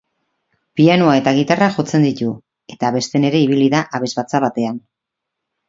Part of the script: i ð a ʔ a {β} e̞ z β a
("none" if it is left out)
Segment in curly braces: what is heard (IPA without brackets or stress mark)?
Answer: β